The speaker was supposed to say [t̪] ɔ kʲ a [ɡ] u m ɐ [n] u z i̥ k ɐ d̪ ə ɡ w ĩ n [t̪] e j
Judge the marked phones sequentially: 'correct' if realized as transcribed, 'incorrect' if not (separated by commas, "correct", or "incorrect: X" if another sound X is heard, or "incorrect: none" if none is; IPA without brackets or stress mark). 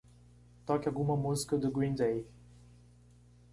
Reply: correct, correct, incorrect: m, incorrect: d̪